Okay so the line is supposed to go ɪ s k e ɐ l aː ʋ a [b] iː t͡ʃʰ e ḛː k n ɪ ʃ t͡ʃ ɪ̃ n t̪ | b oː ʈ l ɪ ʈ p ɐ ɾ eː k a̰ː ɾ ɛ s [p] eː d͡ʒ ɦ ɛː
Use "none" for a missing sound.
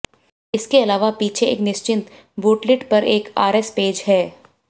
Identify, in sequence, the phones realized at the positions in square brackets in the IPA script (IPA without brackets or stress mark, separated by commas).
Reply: p, p